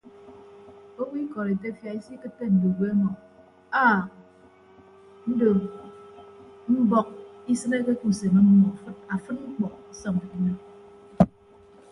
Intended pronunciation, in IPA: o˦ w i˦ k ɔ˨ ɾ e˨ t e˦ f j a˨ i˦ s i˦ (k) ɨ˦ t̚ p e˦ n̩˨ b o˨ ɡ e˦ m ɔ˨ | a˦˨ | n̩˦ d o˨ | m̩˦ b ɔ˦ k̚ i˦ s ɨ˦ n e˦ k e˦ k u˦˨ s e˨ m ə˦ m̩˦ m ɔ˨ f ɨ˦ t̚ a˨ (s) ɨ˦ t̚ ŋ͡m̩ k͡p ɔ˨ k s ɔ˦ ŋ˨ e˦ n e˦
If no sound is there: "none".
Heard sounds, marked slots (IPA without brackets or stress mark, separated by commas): k, f